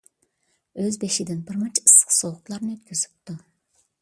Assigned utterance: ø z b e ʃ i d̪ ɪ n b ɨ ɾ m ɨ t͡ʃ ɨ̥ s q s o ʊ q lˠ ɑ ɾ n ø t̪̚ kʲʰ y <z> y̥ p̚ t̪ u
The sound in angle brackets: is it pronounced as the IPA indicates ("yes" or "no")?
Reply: yes